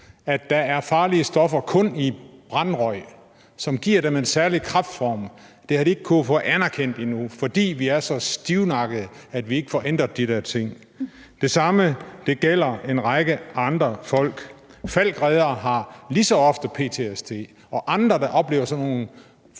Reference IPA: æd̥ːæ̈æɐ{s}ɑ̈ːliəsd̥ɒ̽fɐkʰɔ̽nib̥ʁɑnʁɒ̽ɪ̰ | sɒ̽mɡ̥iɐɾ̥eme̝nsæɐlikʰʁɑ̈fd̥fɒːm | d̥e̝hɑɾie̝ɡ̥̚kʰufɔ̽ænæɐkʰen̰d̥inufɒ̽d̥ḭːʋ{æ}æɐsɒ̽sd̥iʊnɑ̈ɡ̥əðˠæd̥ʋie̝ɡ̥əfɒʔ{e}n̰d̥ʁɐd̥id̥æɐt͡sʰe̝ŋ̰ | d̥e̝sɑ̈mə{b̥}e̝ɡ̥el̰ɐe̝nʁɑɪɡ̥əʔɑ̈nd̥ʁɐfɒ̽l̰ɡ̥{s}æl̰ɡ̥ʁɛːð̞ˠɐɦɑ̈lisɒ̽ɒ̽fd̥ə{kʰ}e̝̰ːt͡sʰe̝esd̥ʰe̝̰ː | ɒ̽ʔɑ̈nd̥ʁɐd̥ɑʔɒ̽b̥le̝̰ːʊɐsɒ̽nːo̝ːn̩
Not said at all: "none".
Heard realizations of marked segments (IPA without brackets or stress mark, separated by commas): f, i, e, d̥, f, pʰ